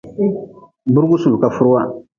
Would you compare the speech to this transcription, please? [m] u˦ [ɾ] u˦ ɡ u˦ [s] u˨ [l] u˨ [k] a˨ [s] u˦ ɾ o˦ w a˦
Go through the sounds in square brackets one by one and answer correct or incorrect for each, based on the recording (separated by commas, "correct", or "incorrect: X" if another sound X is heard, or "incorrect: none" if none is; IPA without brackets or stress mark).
incorrect: b, correct, correct, correct, correct, incorrect: f